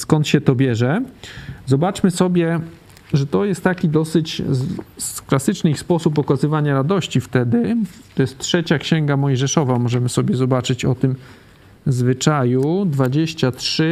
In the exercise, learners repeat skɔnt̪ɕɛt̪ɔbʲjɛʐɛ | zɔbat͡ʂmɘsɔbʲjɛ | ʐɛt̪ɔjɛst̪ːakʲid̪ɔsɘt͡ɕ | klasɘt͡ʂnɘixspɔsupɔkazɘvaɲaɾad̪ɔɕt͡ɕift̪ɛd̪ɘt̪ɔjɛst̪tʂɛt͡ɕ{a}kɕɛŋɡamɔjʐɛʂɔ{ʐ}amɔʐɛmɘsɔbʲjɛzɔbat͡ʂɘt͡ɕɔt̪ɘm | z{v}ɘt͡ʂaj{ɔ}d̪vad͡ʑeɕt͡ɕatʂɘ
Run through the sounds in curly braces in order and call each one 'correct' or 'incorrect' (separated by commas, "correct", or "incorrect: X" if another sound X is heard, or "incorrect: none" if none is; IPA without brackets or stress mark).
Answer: correct, incorrect: v, correct, incorrect: u